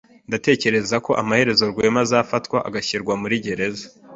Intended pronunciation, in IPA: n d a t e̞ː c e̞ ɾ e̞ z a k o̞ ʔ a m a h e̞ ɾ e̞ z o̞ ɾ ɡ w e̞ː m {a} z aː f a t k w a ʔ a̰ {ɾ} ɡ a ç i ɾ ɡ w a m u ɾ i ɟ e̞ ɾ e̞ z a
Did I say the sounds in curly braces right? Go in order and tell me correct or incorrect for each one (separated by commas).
correct, incorrect